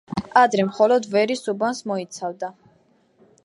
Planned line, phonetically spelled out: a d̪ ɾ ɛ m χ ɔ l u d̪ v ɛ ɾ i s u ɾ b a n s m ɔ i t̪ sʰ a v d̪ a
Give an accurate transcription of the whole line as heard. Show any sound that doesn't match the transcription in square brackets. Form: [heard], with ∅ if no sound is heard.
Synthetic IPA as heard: a d̪ ɾ ɛ m χ ɔ l [ɔ] d̪ v ɛ ɾ i s u [∅] b a n s m ɔ i t̪ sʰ a v d̪ a